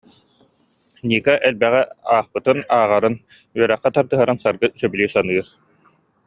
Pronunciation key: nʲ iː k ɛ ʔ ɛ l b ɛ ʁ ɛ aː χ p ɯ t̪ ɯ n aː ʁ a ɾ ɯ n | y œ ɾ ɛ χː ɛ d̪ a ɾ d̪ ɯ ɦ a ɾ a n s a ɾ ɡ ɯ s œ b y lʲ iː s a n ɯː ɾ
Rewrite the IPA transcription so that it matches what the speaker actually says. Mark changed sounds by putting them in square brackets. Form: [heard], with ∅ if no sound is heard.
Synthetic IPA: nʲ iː k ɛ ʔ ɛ l b ɛ ʁ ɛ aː χ p ɯ t̪ ɯ n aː ʁ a ɾ ɯ n | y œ ɾ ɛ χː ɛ [t̪] a ɾ d̪ ɯ ɦ a ɾ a n s a ɾ ɡ ɯ s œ b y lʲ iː s a n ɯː ɾ